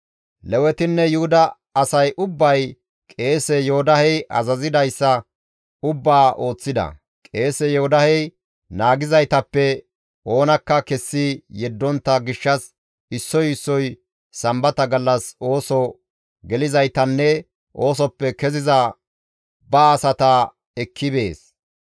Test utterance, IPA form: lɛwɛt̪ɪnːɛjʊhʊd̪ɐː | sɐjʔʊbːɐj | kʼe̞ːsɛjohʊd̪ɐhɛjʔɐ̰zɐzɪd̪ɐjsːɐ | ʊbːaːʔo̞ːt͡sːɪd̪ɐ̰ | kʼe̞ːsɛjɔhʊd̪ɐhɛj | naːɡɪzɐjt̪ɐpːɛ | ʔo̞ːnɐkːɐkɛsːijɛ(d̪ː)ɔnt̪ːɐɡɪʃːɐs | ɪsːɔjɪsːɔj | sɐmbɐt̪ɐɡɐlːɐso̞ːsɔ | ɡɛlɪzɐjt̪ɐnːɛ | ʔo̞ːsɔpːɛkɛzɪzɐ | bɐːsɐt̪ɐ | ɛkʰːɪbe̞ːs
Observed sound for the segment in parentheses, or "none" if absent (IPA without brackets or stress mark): d̪ː